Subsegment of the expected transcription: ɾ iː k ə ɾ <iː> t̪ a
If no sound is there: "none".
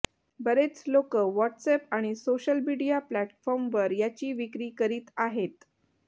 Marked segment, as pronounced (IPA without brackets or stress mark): iː